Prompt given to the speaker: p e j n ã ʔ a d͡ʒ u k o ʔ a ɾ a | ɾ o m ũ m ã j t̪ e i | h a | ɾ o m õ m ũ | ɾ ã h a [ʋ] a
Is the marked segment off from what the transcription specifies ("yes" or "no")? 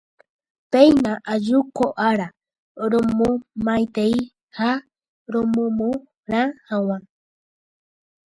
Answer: yes